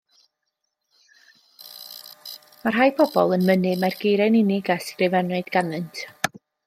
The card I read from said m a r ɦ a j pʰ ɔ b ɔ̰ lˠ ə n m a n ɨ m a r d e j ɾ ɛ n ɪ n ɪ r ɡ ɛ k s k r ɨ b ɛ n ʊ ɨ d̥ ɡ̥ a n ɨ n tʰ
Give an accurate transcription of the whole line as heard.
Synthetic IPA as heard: m a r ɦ a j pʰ ɔ b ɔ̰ lˠ ə n m ə n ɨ m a r ɡ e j ɾ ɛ n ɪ n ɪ ɡ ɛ s k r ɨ v ɛ n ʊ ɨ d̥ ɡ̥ a n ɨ n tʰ